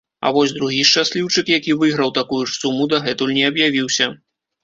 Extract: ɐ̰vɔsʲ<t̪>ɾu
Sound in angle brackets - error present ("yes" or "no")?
yes